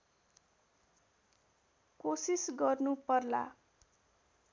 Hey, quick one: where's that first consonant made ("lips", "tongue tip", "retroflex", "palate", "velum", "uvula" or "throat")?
velum